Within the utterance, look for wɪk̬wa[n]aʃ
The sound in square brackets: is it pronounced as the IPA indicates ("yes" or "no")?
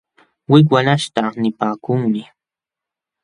yes